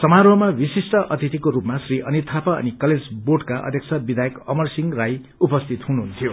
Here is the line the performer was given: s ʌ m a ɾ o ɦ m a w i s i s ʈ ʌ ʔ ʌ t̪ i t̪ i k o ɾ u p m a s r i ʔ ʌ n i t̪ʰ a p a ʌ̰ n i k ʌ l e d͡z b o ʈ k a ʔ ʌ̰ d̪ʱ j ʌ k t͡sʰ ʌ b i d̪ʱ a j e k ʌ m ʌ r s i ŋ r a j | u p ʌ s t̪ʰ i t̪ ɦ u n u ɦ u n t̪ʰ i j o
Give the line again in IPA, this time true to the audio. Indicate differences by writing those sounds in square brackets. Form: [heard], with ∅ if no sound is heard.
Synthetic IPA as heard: s ʌ m a ɾ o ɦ m a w i s i s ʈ ʌ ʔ ʌ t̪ i t̪ i k o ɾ u p m a s r i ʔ ʌ n i t̪ʰ a p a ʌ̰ n i k ʌ l e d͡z b o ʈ k a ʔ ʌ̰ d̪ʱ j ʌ k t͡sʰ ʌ b i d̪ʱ a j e k ʌ m ʌ r s i ŋ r a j | u p ʌ s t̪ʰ i t̪ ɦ u n u ɦ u n t̪ʰ i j o